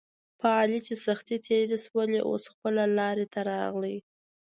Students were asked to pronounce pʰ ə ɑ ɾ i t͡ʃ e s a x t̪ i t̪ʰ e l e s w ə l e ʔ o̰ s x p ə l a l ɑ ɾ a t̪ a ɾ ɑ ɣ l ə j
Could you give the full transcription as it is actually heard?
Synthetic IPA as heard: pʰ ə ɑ l i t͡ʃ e s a x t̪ i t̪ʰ e ɾ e s w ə l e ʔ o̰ s x p ə l a l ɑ ɾ e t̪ a ɾ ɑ ɣ l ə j